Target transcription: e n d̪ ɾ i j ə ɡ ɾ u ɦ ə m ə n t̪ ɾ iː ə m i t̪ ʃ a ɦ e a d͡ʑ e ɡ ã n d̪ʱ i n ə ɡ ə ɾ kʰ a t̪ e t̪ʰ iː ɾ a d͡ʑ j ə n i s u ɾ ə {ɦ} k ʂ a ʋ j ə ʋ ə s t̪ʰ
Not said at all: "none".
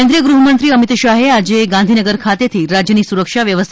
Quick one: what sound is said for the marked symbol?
none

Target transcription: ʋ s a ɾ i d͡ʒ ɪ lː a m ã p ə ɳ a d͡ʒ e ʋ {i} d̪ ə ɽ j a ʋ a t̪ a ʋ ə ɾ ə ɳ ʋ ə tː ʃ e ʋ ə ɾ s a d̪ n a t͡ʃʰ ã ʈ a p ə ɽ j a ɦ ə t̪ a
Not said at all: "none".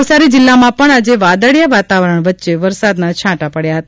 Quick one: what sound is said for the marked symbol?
a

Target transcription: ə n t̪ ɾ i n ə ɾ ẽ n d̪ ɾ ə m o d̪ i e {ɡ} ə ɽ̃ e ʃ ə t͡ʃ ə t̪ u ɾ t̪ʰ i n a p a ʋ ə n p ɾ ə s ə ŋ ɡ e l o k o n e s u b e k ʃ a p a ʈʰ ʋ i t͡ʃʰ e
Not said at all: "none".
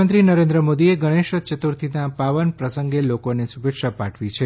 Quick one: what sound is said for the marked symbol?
ɡ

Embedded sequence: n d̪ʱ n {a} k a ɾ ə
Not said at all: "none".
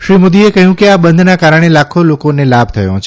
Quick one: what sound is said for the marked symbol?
a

